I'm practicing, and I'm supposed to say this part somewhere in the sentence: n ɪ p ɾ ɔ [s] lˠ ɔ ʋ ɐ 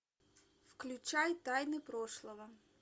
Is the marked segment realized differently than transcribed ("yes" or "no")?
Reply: yes